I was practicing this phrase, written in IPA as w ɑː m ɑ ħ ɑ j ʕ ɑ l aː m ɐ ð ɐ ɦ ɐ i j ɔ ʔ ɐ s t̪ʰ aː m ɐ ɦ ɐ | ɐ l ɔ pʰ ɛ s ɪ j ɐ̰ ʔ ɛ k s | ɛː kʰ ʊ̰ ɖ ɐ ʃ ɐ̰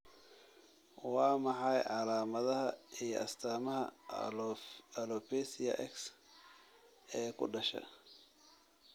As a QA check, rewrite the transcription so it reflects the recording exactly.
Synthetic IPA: w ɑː m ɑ ħ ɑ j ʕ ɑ l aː m ɐ ð ɐ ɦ ɐ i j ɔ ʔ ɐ s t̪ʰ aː m ɐ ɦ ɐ | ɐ l ɔ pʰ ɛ s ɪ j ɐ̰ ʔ ɛ k s | ɛː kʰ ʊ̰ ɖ ɐ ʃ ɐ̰